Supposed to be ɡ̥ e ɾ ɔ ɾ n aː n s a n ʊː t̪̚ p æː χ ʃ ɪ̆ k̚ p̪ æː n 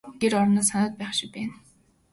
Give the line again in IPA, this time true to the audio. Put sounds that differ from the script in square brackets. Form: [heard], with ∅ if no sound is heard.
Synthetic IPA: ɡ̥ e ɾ ɔ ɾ n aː [∅] s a n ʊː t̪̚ p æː χ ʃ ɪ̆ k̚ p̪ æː n